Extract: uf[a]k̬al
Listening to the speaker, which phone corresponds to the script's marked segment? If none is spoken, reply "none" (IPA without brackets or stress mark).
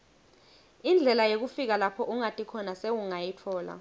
i